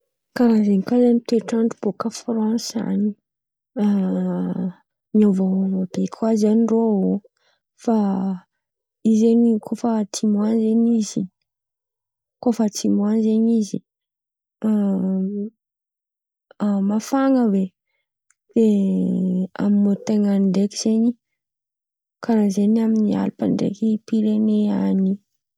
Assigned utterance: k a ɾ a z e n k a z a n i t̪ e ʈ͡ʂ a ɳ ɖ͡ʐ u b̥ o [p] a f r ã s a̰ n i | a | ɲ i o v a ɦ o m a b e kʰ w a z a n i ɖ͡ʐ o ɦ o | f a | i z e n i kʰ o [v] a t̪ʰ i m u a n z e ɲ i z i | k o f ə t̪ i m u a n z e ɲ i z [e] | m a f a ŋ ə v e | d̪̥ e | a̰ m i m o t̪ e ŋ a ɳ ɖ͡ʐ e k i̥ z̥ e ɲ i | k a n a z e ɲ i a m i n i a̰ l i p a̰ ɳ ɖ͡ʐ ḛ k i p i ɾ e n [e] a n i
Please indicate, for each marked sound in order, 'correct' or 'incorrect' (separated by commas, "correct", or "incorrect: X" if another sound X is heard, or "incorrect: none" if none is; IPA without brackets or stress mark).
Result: incorrect: k, incorrect: f, incorrect: i, correct